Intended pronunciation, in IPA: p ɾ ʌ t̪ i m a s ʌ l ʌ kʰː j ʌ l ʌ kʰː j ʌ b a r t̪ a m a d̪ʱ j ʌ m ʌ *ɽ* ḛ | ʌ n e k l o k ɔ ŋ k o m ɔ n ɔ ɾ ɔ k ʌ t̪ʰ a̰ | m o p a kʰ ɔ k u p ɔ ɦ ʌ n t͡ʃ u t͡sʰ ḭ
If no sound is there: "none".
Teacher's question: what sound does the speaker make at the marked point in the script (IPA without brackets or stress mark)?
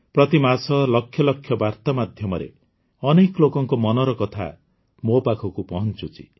ɾ